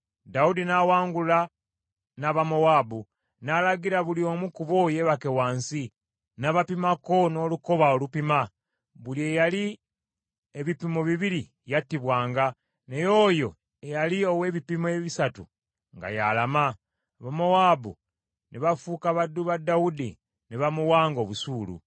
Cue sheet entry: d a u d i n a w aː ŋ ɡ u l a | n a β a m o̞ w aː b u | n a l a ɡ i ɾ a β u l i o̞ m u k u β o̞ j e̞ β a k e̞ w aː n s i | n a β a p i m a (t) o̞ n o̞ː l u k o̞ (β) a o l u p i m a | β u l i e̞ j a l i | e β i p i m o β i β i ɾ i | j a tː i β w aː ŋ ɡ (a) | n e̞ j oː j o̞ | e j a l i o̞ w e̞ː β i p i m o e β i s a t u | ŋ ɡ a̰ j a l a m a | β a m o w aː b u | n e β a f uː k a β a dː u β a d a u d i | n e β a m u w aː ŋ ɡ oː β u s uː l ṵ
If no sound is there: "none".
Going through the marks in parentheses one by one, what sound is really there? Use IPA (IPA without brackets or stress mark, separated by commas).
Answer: k, β, a